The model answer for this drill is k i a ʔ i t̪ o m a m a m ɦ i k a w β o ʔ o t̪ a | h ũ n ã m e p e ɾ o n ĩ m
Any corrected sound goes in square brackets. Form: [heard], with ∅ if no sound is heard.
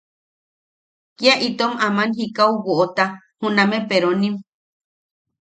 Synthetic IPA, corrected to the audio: k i a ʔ i t̪ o m a m a [n] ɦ i k a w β o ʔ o t̪ a | h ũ n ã m e p e ɾ o n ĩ m